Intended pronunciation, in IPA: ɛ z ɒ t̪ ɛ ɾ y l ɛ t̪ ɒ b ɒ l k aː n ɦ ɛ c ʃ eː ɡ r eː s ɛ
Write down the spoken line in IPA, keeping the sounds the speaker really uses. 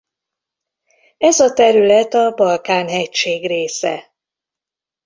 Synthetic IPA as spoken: ɛ z ɒ t̪ ɛ ɾ y l ɛ t̪ ɒ b ɒ l k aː n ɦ ɛ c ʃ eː ɡ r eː s ɛ